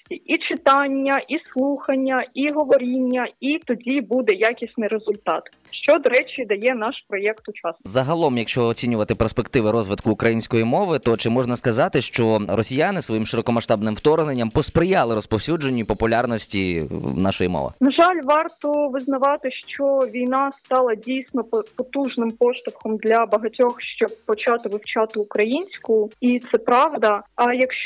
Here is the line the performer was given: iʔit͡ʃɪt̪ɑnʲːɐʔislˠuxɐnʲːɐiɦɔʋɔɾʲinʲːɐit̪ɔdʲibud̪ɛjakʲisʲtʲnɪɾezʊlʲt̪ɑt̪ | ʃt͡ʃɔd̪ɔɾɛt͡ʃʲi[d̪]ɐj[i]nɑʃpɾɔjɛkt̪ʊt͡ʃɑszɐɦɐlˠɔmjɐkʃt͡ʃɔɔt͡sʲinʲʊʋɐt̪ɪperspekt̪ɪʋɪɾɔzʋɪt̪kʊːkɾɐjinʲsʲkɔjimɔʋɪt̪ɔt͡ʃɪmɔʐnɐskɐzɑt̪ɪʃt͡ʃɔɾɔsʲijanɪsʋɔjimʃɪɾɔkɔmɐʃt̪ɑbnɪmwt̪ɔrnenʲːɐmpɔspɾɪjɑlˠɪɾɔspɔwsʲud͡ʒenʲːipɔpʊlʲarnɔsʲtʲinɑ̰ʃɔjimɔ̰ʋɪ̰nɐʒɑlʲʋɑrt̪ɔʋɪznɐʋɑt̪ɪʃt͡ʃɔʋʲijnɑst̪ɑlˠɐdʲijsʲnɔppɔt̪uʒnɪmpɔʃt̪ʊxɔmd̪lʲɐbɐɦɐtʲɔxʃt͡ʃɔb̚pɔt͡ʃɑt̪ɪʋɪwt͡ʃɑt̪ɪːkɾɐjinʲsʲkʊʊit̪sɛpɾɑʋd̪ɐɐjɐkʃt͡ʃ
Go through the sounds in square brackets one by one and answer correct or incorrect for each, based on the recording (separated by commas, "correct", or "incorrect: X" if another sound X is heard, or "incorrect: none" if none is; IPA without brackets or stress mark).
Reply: correct, incorrect: ɛ